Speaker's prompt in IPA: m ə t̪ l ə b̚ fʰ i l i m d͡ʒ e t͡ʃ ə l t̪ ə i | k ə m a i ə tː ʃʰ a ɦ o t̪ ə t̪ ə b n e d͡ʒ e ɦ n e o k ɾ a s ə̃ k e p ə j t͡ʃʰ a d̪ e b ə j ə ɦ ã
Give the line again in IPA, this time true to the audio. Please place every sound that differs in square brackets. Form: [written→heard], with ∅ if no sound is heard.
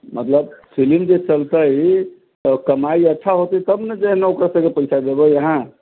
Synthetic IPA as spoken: m ə t̪ l ə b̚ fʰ i l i m d͡ʒ e t͡ʃ ə l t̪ ə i | k ə m a i ə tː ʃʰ a ɦ o t̪ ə t̪ ə b n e d͡ʒ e ɦ n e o k ɾ a s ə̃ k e p ə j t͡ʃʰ a d̪ e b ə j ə ɦ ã